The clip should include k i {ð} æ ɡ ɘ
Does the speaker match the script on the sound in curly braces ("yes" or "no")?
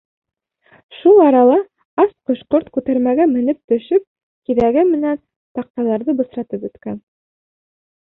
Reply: yes